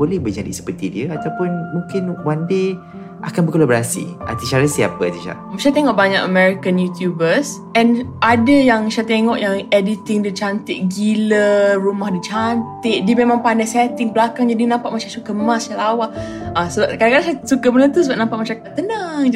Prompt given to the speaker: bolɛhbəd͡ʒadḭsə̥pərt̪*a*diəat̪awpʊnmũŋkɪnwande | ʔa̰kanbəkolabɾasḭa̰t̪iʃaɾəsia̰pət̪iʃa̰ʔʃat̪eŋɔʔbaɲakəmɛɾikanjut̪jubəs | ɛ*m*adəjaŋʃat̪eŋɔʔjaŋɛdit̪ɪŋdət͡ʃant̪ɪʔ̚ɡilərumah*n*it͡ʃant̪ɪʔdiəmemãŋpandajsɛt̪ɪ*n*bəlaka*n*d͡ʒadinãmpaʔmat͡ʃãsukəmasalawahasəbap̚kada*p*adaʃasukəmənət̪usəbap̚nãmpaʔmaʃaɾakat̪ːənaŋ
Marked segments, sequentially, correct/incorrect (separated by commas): incorrect, incorrect, incorrect, incorrect, incorrect, incorrect